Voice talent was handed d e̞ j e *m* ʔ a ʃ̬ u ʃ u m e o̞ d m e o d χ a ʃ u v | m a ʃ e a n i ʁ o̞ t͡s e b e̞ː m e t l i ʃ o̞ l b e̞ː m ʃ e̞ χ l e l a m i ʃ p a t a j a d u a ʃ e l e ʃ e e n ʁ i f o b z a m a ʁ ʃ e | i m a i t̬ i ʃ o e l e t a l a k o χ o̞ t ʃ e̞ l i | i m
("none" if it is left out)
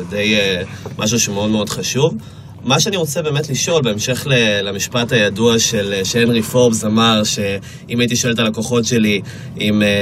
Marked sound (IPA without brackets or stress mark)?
m